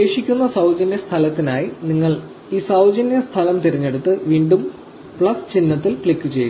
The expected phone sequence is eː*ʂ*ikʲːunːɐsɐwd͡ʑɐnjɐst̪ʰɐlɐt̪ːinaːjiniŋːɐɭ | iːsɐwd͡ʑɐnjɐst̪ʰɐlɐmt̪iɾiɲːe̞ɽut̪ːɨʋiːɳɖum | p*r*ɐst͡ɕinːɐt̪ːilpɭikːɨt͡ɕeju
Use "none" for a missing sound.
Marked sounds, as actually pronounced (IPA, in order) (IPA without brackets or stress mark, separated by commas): ʂ, ɭ